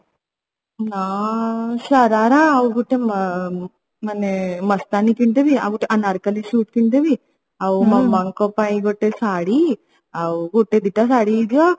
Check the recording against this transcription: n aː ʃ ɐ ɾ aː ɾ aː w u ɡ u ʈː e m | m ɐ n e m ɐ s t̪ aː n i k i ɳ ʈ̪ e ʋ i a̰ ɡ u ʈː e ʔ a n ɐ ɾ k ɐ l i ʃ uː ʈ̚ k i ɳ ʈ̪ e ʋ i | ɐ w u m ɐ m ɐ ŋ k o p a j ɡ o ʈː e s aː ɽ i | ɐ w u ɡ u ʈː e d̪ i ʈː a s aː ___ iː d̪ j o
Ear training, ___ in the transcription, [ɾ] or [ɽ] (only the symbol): ɽ